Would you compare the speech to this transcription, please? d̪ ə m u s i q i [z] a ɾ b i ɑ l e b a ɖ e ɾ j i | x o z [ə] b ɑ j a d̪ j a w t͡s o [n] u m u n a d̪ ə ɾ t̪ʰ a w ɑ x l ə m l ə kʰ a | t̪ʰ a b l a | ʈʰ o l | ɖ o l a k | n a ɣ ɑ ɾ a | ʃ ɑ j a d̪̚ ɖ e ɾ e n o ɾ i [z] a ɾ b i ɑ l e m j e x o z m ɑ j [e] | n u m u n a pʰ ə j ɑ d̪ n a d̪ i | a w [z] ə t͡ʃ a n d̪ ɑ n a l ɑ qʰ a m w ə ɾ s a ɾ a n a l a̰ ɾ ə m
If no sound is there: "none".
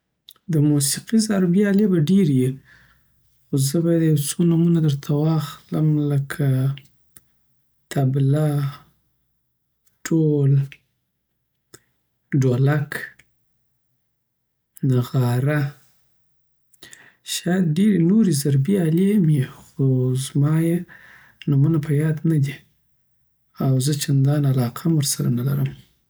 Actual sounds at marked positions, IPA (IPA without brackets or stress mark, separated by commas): z, ə, n, z, e, z